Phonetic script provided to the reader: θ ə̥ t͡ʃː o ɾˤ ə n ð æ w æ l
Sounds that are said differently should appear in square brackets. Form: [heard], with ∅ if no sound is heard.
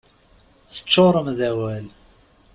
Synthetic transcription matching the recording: θ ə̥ t͡ʃː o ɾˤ ə [m] ð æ w æ l